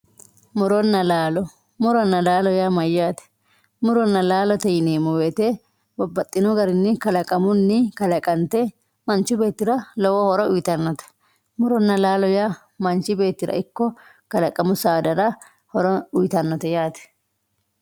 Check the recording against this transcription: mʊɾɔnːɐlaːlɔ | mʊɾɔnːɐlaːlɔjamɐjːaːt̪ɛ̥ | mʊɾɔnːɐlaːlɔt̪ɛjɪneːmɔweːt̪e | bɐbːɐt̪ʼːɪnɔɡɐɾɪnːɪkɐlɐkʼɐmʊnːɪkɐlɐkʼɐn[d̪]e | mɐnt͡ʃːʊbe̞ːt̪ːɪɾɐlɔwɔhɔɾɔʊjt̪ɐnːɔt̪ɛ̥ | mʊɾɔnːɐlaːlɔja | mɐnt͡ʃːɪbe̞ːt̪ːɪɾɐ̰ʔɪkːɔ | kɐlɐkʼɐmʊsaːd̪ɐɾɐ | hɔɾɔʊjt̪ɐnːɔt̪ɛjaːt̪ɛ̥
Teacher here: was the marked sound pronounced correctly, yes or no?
no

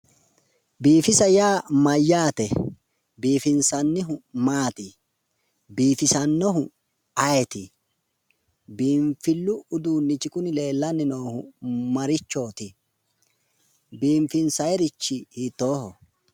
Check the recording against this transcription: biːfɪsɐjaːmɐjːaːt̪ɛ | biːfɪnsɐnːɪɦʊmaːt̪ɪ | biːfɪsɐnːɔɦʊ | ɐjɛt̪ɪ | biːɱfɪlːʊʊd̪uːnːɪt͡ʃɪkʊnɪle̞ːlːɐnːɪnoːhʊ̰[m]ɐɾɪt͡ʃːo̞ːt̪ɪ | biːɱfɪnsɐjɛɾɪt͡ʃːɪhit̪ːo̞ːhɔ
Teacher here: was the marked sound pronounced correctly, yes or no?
yes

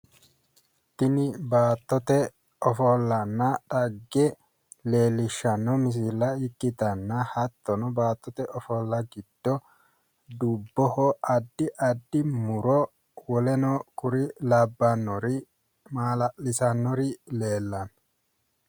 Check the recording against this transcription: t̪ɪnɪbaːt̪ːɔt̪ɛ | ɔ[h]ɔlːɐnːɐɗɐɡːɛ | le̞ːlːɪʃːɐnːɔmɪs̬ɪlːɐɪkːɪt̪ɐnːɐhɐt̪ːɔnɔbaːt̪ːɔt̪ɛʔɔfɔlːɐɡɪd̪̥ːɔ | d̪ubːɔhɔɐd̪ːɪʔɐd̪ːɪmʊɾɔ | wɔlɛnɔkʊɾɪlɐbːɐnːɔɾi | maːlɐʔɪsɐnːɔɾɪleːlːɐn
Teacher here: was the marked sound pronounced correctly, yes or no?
no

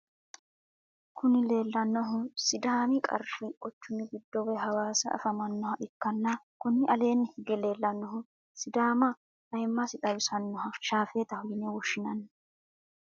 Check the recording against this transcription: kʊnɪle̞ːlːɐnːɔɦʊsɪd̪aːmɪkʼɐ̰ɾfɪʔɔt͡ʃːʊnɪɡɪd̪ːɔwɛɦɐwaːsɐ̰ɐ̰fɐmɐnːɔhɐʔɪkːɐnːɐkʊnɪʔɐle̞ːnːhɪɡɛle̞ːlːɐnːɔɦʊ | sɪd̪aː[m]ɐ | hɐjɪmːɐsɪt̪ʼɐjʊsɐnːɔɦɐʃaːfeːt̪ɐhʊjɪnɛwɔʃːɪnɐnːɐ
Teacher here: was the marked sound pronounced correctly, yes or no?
yes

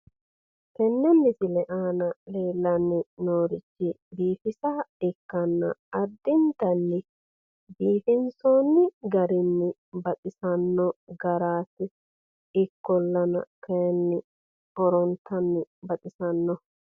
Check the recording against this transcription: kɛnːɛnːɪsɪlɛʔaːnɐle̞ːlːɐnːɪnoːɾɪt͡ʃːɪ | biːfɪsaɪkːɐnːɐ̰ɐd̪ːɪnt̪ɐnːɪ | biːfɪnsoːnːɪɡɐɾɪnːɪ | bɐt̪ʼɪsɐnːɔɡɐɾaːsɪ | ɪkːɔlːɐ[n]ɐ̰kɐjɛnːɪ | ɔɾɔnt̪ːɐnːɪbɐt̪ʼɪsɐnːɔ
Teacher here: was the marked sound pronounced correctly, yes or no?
yes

